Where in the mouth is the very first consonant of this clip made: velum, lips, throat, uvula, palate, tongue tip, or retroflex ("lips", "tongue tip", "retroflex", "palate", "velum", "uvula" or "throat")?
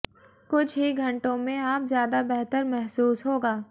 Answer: velum